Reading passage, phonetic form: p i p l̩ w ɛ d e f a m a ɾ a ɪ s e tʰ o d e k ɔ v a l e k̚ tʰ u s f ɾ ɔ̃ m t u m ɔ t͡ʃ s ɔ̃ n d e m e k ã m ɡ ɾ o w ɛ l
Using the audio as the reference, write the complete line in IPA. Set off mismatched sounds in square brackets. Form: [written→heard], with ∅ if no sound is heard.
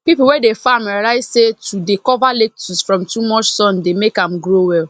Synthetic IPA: p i p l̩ w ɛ d e f a m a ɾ a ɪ s e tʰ [o→u] d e k ɔ v a l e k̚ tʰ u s f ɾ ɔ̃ m t u m ɔ t͡ʃ s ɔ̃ n d e m e k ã m ɡ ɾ o w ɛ l